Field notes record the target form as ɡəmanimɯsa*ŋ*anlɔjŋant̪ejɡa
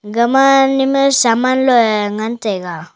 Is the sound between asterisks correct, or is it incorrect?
incorrect